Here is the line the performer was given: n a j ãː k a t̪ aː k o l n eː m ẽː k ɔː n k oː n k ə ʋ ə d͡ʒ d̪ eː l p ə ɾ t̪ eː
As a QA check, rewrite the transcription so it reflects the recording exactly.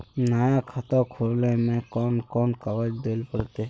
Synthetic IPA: n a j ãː kʰ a t̪ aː kʰ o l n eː m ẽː k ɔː n k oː n k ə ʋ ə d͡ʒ d̪ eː l p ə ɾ t̪ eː